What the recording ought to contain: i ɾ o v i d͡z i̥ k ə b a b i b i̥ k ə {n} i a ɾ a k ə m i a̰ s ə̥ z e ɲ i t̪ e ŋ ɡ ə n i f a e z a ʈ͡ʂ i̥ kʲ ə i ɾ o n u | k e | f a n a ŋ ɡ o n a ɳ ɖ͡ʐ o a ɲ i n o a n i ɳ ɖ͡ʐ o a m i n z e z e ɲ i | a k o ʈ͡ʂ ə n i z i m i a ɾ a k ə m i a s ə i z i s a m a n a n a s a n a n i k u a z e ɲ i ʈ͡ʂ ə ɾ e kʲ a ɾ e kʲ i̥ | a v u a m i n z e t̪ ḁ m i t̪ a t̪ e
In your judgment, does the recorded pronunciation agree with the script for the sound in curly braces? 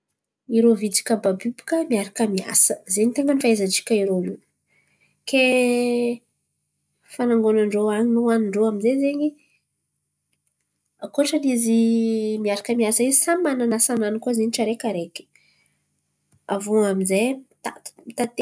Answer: no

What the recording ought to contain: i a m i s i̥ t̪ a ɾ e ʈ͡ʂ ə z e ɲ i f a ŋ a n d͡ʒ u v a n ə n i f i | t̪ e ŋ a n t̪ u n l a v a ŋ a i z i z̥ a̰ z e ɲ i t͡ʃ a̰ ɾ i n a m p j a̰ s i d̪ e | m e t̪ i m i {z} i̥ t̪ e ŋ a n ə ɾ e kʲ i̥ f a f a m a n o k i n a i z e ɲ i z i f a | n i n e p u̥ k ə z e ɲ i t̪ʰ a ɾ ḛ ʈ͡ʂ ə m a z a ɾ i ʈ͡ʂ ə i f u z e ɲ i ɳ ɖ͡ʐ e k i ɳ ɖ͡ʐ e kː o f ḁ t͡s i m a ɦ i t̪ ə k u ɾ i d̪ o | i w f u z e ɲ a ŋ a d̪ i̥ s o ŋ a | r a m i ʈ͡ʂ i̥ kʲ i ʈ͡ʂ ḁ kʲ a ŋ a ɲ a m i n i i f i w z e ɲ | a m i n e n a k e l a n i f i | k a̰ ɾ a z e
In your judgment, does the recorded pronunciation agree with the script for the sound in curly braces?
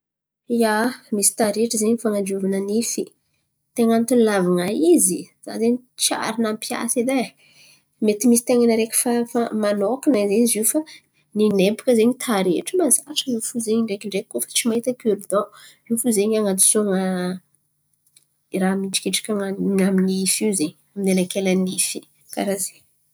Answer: no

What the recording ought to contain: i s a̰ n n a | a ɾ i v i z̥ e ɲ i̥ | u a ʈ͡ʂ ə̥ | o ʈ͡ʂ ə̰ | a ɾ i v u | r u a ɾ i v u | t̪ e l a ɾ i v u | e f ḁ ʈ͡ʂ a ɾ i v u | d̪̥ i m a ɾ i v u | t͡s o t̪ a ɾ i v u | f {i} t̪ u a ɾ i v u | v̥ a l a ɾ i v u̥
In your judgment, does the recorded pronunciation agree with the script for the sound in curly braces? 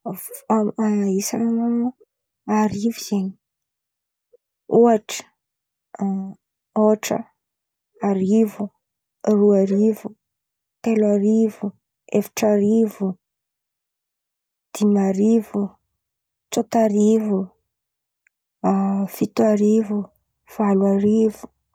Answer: yes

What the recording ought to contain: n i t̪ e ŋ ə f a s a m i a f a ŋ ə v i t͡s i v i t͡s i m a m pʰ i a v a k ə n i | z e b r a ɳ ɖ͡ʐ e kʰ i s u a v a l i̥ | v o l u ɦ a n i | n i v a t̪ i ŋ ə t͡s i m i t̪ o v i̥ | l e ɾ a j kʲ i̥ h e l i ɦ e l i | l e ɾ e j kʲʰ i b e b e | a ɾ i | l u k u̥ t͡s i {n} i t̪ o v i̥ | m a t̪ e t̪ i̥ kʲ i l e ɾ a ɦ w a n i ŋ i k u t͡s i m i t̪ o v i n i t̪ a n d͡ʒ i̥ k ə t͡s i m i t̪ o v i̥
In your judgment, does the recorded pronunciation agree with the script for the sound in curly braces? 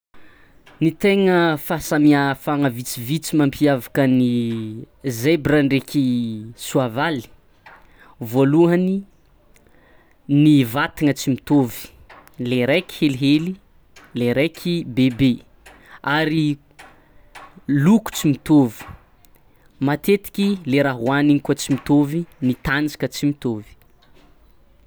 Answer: no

